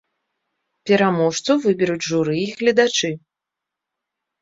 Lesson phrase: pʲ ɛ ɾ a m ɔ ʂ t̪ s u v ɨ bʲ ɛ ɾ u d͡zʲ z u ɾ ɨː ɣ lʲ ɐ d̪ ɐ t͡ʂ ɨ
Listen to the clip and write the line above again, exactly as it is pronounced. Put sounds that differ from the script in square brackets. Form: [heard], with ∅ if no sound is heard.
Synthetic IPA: pʲ ɛ ɾ a m ɔ ʂ t̪ s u v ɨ bʲ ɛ ɾ u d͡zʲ [ʐ] u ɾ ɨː ɣ lʲ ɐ d̪ [a] t͡ʂ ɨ